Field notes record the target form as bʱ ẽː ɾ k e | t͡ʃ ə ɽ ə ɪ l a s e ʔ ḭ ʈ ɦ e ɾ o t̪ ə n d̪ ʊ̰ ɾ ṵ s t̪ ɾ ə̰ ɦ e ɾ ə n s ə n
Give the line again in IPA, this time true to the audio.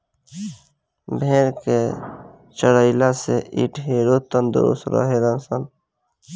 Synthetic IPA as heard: bʱ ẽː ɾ k e | t͡ʃ ə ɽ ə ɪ l a s e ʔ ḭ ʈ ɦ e ɾ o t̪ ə n d̪ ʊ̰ ɾ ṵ s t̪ ɾ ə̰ ɦ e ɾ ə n s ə n